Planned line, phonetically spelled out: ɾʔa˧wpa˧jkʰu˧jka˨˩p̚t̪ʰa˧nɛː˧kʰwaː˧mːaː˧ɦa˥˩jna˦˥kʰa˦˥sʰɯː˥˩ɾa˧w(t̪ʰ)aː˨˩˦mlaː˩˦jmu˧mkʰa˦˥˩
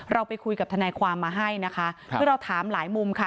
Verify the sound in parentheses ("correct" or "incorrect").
correct